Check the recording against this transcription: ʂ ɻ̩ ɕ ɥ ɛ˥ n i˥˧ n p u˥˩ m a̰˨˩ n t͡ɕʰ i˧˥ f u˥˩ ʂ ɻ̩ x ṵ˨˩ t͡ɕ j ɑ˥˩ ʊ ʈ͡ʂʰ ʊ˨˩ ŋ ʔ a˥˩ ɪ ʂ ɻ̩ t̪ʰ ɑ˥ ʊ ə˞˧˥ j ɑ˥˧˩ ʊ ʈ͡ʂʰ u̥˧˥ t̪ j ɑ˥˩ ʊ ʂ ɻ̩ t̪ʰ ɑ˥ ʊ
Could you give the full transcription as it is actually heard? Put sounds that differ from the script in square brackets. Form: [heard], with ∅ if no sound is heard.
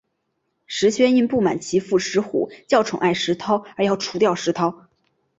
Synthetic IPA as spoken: ʂ ɻ̩ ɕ ɥ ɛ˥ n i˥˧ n p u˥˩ m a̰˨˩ n t͡ɕʰ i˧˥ f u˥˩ ʂ ɻ̩ x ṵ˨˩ t͡ɕ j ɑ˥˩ ʊ ʈ͡ʂʰ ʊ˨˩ ŋ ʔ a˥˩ ɪ ʂ ɻ̩ t̪ʰ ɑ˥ ʊ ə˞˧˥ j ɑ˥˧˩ ʊ ʈ͡ʂʰ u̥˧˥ t̪ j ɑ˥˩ ʊ ʂ ɻ̩ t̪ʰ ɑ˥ ʊ